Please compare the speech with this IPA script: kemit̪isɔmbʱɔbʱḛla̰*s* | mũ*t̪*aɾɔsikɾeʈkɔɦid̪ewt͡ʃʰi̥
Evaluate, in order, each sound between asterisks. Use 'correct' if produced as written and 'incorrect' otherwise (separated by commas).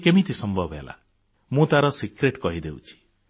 incorrect, correct